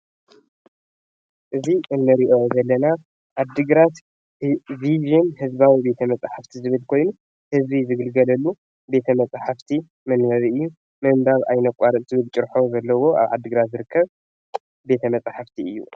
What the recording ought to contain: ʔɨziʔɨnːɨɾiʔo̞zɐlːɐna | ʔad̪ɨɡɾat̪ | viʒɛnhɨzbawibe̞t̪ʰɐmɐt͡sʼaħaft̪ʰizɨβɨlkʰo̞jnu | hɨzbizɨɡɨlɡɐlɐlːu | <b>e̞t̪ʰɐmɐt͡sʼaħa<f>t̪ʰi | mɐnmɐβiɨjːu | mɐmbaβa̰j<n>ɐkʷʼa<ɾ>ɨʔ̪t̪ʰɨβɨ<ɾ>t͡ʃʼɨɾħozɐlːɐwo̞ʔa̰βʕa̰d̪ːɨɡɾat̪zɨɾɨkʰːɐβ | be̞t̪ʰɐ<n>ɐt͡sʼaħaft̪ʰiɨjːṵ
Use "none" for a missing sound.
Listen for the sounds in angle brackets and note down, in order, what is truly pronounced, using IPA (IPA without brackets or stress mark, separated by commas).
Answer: b, f, n, ɾ, l, m